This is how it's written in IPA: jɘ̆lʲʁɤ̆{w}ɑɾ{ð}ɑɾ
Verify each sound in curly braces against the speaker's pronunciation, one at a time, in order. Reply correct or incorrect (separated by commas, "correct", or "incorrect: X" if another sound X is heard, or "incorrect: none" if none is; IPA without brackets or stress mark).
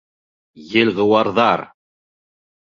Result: correct, correct